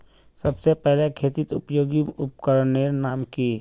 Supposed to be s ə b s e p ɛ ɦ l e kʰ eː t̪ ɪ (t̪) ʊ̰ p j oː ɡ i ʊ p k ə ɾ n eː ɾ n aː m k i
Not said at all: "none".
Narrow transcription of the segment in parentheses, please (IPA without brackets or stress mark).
t̪